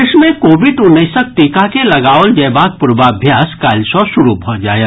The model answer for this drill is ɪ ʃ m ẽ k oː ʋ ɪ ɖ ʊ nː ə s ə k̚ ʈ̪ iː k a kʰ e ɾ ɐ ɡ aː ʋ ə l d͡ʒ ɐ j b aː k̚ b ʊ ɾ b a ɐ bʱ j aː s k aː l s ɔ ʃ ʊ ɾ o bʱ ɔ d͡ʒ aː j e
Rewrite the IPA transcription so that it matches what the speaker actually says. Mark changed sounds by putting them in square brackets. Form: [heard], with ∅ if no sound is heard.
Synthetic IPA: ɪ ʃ m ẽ k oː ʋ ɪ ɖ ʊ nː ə s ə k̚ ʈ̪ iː k a [k] e [l] ɐ ɡ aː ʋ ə l d͡ʒ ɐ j b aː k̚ [p] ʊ ɾ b a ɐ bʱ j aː s k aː l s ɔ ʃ ʊ ɾ [u] bʱ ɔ d͡ʒ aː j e